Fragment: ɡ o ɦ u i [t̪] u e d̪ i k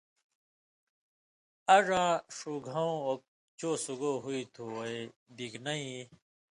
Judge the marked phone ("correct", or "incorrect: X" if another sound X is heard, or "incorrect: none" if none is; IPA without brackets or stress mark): incorrect: t̪ʰ